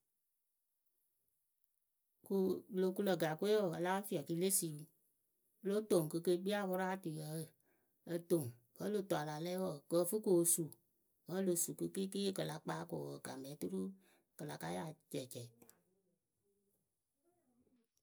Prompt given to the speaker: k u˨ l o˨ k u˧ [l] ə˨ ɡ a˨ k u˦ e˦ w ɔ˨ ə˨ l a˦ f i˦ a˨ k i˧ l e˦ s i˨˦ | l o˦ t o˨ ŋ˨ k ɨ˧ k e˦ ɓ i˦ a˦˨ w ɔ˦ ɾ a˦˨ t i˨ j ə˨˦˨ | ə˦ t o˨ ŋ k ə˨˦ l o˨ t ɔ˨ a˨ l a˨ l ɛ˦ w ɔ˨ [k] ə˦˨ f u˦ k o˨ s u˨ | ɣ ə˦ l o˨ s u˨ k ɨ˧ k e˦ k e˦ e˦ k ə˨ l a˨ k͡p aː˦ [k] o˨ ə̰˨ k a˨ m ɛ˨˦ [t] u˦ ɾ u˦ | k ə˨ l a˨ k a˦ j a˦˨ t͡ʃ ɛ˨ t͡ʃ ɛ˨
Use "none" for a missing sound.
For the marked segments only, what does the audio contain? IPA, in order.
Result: l, k, k, t

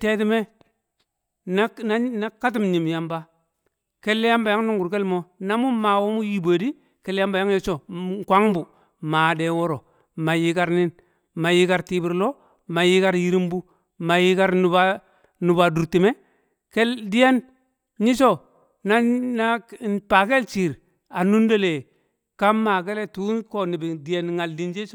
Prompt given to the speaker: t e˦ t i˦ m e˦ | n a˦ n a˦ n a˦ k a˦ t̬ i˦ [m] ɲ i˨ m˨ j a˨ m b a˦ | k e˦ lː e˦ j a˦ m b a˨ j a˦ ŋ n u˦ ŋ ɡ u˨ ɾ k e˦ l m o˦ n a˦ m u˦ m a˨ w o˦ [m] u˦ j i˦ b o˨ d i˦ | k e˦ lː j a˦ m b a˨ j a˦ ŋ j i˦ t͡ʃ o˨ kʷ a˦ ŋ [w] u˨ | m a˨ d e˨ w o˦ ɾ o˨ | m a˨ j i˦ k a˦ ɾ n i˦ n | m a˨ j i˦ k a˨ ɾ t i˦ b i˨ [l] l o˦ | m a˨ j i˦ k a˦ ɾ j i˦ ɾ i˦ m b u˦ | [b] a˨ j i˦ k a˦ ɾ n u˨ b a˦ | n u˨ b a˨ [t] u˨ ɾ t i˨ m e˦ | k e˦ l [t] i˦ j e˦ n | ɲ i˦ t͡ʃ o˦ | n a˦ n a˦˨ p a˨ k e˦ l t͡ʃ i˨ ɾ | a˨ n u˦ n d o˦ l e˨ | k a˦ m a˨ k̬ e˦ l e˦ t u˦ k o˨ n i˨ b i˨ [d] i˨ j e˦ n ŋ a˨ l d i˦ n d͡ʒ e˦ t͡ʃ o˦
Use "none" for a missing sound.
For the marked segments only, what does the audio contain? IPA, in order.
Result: m, m, b, ɾ, m, d, d, d

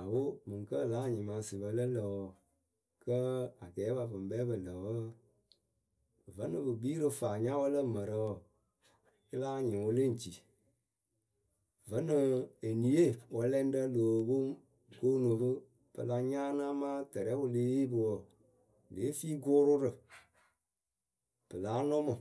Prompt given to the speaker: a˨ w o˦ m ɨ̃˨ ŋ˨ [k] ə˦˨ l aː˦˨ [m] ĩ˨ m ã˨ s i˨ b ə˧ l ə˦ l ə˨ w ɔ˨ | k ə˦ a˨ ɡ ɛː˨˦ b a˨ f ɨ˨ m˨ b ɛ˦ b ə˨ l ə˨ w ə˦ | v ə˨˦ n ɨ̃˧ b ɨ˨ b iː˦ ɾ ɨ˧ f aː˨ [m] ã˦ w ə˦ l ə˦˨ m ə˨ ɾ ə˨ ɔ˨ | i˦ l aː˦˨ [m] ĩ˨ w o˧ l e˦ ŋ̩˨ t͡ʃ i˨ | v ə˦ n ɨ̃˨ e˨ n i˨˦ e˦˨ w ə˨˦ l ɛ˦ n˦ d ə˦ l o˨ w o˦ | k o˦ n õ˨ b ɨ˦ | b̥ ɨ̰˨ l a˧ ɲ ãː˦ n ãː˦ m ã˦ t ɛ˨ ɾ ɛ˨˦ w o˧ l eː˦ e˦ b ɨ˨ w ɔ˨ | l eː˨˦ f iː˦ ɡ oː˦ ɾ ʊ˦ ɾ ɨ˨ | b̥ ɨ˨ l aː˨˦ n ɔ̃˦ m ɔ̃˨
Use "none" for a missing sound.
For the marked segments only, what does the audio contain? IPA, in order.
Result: k, ɲ, ɲ, ɲ

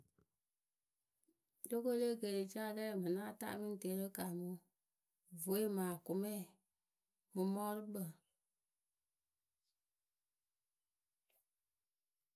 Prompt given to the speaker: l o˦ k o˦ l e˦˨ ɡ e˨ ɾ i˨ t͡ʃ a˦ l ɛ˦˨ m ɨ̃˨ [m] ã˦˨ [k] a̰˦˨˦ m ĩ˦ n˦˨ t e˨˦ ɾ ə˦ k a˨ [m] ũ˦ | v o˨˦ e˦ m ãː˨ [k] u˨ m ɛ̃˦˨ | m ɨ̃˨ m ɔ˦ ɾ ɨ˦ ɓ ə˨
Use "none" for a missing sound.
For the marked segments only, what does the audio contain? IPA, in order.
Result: n, t, m, k

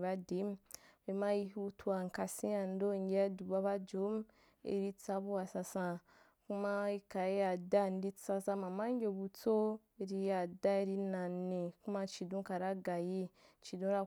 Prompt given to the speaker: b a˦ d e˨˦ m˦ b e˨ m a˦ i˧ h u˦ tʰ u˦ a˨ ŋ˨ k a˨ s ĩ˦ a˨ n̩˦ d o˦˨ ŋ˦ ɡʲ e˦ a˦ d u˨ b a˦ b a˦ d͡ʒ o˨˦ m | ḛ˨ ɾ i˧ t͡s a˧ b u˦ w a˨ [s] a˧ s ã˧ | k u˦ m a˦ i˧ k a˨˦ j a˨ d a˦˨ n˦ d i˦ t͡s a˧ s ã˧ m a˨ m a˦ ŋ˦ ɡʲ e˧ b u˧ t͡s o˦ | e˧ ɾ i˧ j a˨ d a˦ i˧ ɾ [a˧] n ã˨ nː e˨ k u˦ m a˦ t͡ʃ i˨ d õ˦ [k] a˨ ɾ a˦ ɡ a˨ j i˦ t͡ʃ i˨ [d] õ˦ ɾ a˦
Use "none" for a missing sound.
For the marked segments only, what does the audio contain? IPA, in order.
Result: s, i˧, k, d

